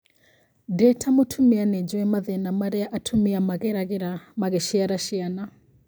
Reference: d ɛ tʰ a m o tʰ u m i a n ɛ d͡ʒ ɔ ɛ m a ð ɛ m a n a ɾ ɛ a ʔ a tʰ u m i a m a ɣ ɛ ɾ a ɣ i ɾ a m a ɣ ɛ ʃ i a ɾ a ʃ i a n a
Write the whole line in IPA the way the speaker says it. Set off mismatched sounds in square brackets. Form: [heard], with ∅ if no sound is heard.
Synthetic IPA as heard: d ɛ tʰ a m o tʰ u m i a n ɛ d͡ʒ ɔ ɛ m a ð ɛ [n] a [m] a ɾ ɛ a ʔ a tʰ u m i a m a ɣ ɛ ɾ a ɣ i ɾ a m a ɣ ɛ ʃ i a ɾ a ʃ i a n a